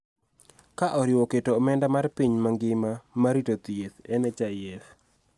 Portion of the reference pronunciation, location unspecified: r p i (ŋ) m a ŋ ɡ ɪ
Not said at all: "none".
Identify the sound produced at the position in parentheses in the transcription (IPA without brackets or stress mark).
ɲ